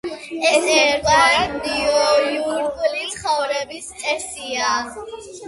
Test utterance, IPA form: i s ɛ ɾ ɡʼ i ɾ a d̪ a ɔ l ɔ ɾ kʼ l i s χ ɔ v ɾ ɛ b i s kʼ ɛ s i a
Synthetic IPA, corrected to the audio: ɛ s ɛ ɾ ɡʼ a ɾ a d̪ i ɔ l u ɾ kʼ l i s χ ɔ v ɾ ɛ b i s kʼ ɛ s i a